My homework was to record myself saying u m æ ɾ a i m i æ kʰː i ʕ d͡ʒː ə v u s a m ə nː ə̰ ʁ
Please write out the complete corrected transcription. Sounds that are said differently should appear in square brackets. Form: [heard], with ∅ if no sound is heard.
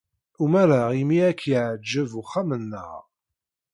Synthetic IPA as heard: u m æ ɾ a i m i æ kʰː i ʕ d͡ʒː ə v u [χ] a m ə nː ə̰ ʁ